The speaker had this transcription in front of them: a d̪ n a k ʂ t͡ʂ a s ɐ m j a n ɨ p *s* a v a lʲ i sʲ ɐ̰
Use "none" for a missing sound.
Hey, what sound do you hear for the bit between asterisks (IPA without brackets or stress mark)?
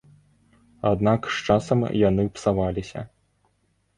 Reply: s